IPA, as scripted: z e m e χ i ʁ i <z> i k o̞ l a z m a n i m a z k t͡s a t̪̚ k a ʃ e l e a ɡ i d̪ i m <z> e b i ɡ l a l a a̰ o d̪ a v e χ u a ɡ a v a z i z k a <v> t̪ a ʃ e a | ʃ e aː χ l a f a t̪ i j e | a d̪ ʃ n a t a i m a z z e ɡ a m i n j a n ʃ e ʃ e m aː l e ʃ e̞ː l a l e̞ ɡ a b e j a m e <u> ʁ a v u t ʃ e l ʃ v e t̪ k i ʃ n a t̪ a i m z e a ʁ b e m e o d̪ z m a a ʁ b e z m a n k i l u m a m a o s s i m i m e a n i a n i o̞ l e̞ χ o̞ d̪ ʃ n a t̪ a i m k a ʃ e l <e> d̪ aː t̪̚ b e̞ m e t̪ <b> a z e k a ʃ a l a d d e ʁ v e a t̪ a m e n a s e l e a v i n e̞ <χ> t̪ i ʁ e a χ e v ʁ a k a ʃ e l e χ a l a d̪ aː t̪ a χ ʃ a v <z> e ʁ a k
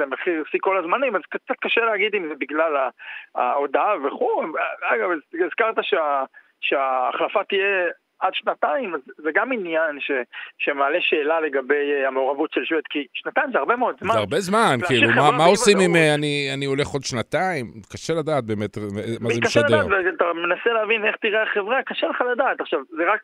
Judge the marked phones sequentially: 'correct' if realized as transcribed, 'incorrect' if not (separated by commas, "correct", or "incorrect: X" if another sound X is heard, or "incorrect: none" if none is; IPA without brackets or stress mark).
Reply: incorrect: s, correct, incorrect: ʁ, incorrect: o, incorrect: a, incorrect: m, correct, correct